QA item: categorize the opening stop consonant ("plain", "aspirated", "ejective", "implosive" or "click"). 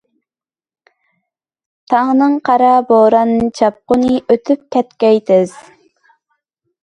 aspirated